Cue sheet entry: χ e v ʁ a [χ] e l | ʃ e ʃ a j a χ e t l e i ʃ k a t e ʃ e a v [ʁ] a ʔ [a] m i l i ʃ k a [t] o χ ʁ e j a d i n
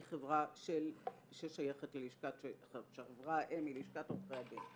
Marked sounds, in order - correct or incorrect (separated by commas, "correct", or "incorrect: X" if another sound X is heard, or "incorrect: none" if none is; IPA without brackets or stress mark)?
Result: incorrect: ʃ, correct, incorrect: e, correct